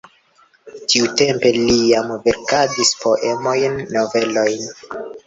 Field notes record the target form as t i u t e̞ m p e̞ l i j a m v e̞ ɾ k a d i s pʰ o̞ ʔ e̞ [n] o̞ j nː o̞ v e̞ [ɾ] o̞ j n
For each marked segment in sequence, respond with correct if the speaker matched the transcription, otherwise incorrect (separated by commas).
incorrect, incorrect